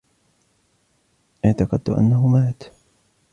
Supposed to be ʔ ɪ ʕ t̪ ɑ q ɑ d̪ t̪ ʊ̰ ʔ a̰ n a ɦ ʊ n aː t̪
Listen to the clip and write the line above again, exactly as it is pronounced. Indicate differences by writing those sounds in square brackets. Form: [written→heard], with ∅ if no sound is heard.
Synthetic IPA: ʔ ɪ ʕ t̪ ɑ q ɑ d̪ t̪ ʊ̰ ʔ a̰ [n→nː] a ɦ ʊ [n→m] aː t̪